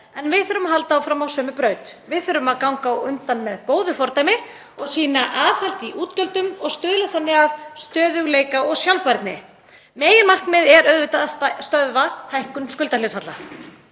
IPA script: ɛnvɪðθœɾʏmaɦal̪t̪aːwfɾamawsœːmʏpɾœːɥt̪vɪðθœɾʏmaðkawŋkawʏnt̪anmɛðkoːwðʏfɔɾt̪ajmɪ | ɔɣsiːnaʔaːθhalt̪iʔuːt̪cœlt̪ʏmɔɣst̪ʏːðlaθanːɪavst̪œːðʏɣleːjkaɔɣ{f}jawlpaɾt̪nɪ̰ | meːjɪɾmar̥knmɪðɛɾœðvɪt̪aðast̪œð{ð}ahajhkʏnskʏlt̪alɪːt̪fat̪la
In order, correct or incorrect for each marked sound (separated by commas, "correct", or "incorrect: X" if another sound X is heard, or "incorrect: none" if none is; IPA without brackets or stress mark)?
incorrect: s, incorrect: v